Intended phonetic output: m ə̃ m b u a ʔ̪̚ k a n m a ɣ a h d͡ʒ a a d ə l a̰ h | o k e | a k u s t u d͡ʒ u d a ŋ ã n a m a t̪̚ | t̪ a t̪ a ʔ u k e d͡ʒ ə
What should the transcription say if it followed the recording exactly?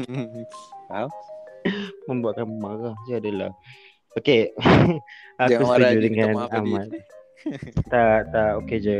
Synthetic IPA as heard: m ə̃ m b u a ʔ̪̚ k a n m a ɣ a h d͡ʒ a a d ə l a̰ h | o k e | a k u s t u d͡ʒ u d ə ŋ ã n a m a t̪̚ | t̪ a t̪ a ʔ o k e d͡ʒ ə